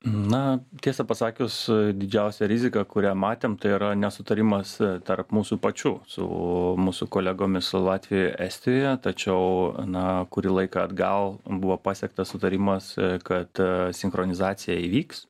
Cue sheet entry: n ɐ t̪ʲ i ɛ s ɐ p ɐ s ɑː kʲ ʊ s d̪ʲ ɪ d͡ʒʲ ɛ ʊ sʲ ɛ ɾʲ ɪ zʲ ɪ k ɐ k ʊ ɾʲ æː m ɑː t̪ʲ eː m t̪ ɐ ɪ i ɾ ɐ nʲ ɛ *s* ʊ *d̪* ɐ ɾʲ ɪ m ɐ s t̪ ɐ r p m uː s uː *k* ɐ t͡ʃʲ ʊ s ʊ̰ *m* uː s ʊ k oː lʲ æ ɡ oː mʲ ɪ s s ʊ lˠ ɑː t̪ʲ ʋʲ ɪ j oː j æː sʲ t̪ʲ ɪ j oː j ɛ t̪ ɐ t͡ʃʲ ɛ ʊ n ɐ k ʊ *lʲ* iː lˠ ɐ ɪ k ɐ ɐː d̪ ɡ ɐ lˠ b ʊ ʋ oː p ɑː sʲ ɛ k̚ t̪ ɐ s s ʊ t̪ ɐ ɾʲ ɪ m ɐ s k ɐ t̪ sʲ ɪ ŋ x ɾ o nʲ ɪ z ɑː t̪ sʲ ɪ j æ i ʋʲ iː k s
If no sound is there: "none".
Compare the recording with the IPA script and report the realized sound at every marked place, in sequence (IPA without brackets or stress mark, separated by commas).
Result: s, t̪, p, m, ɾʲ